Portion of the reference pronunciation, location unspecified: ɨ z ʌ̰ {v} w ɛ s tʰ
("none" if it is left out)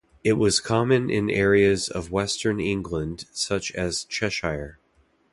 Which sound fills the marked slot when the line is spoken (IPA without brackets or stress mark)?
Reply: v